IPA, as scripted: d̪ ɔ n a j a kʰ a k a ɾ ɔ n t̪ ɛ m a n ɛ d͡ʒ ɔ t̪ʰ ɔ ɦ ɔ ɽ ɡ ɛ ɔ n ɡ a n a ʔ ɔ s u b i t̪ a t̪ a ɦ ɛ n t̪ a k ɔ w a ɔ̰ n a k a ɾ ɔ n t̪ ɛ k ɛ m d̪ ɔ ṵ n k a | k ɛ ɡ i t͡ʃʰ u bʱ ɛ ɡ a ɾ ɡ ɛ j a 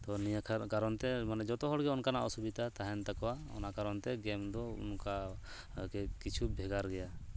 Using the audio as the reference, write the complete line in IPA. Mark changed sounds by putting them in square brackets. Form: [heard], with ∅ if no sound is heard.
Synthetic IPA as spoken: [t̪] ɔ n [i] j a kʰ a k a ɾ ɔ n t̪ ɛ m a n ɛ d͡ʒ ɔ [t̪] ɔ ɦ ɔ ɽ ɡ ɛ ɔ n [k] a n a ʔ ɔ s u b i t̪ a t̪ a ɦ ɛ n t̪ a k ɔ w a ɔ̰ n a k a ɾ ɔ n t̪ ɛ [ɡ] ɛ m d̪ ɔ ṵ n k a | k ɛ [k] i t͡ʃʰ u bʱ ɛ ɡ a ɾ ɡ ɛ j a